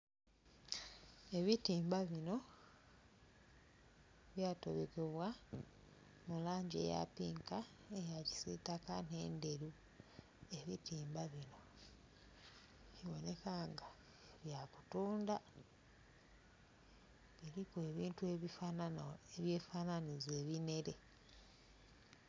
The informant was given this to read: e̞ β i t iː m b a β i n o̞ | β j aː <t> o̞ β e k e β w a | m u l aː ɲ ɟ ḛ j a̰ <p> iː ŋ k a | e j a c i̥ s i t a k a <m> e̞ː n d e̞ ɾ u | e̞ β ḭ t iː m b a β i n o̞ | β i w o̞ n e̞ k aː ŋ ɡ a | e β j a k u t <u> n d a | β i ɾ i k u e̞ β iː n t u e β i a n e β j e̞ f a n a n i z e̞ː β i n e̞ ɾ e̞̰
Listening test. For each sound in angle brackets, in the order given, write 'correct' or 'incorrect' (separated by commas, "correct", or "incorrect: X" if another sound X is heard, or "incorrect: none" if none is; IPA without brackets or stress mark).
correct, correct, incorrect: n, incorrect: uː